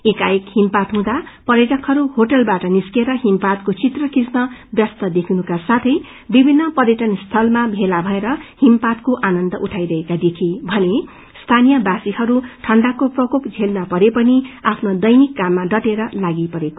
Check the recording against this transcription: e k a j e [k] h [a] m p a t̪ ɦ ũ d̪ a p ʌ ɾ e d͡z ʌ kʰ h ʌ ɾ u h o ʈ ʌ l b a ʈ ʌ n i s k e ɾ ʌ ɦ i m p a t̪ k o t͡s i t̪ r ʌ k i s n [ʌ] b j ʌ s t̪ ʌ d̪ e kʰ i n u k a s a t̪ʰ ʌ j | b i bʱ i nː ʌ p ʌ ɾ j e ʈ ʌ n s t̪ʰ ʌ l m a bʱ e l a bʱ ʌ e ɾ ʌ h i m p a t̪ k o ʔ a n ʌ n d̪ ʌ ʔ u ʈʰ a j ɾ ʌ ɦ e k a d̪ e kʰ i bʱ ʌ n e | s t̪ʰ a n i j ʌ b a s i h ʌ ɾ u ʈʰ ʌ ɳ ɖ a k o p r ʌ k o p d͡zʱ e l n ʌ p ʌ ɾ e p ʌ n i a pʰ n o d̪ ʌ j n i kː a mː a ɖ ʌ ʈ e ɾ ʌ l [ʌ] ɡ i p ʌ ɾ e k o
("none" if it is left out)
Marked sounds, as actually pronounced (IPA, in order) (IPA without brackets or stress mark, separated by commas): k, i, ʌ, a